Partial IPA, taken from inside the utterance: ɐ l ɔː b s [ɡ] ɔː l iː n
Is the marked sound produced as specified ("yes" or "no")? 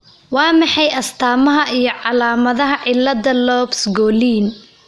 yes